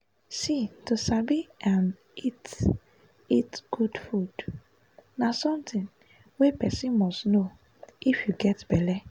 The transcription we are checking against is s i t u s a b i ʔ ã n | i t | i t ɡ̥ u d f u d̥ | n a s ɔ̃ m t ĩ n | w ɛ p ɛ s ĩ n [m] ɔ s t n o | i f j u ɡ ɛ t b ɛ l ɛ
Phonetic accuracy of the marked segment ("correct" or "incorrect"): correct